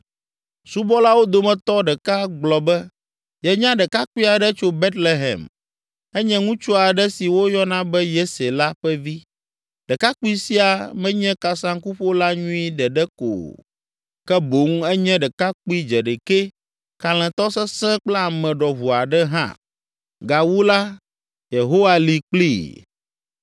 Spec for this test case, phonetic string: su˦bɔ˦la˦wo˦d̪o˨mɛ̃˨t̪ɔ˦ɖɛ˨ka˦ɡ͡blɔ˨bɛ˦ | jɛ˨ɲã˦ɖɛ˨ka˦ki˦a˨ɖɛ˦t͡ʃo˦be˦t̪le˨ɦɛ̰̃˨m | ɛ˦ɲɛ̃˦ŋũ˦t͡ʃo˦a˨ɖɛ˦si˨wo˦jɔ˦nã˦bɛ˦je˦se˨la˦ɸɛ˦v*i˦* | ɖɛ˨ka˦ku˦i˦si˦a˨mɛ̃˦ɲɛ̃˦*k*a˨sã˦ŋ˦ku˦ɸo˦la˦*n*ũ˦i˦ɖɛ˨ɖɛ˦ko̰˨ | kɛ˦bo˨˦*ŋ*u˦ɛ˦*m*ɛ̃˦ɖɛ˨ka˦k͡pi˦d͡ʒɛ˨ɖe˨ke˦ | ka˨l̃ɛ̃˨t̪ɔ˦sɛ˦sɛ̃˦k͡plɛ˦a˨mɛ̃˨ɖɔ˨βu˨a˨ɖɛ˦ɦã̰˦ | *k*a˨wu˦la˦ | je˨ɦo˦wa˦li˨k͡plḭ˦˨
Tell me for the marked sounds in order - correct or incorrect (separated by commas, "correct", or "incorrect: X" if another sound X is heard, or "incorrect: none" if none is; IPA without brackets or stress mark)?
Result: correct, correct, incorrect: ɲ, correct, incorrect: ɲ, incorrect: ɡ